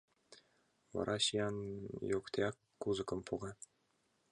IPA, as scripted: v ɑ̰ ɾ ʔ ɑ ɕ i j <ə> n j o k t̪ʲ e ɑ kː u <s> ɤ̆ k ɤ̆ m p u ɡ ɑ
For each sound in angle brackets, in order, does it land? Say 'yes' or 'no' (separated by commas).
no, no